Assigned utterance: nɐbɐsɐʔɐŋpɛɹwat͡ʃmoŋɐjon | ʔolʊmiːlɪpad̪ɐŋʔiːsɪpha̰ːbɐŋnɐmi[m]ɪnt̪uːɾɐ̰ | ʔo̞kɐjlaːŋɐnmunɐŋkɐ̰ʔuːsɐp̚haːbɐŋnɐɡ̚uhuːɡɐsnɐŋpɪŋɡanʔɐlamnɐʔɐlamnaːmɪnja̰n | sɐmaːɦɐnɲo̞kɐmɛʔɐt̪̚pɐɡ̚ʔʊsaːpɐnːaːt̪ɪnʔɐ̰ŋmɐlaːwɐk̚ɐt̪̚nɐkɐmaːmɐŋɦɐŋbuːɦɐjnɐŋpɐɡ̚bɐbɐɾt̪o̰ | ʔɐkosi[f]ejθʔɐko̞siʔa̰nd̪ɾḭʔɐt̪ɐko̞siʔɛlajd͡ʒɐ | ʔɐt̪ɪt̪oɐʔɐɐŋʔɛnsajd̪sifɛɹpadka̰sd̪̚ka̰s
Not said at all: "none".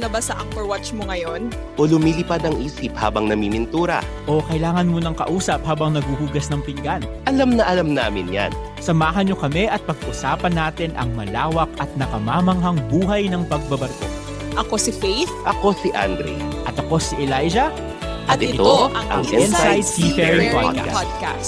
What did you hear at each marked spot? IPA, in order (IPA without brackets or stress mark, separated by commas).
m, f